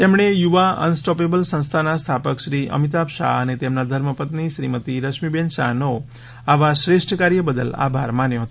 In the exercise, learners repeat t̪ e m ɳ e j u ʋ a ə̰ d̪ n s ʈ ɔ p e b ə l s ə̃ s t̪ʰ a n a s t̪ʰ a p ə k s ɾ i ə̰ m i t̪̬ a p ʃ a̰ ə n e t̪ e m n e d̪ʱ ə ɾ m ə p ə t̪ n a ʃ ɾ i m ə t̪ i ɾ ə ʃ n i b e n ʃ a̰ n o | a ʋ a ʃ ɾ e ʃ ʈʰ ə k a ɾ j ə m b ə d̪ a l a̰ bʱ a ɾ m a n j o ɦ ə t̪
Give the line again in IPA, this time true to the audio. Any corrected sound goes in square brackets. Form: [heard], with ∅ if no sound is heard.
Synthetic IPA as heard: t̪ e m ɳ e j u ʋ a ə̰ [∅] n s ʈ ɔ p e b ə l s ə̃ s t̪ʰ a n a s t̪ʰ a p ə k [ʃ] ɾ i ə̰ m i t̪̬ a p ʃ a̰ ə n e t̪ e m n [a] d̪ʱ ə ɾ m ə p ə t̪ n [i] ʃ ɾ i m ə t̪ i ɾ ə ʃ [m] i b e n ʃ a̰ n o | a ʋ a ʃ ɾ e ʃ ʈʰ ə k a ɾ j ə [∅] b ə d̪ [ə] l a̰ bʱ a ɾ m a n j o ɦ ə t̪

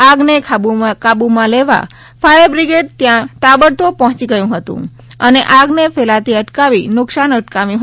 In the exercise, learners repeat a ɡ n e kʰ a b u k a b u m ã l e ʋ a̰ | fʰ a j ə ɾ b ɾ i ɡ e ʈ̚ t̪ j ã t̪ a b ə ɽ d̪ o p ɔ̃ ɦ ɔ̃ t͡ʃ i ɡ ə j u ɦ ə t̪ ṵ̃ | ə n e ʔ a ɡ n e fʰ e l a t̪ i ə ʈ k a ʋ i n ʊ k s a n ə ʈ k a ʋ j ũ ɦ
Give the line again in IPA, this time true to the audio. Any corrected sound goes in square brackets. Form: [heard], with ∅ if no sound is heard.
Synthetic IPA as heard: a ɡ n e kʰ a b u k a b u m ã l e ʋ a̰ | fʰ a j ə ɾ b ɾ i ɡ e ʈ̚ t̪ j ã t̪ a b ə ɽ [t̪] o p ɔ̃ ɦ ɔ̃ t͡ʃ i ɡ ə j [ũ] ɦ ə t̪ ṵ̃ | ə n e ʔ a ɡ n e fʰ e l a t̪ i ə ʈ k a ʋ i n ʊ k s a n ə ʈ k a ʋ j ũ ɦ

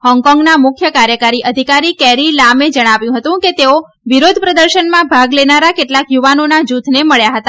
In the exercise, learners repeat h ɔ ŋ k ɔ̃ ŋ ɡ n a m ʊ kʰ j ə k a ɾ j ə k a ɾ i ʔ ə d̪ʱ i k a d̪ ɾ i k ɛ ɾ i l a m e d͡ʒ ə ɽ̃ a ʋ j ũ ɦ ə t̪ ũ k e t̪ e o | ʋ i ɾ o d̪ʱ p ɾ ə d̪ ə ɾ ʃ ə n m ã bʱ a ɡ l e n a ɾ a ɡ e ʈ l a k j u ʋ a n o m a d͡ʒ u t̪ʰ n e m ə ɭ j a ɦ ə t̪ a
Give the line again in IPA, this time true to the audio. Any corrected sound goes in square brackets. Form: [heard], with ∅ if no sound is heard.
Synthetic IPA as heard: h ɔ ŋ k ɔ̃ ŋ ɡ n a m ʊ kʰ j ə k a ɾ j ə k a ɾ i ʔ ə d̪ʱ i k a [∅] ɾ i k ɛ ɾ i l a m e d͡ʒ ə ɽ̃ a ʋ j ũ ɦ ə t̪ ũ k e t̪ e o | ʋ i ɾ o d̪ʱ p ɾ ə d̪ ə ɾ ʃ ə n m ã bʱ a ɡ l e n a ɾ a [k] e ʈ l a k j u ʋ a n o [n] a d͡ʒ u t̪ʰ n e m ə ɭ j a ɦ ə t̪ a

